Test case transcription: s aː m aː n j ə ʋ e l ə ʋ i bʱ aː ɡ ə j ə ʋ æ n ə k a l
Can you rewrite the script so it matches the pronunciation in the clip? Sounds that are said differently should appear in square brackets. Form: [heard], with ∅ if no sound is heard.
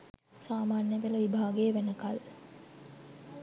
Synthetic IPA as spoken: s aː m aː n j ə ʋ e l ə ʋ i bʱ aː ɡ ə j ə ʋ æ n ə k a l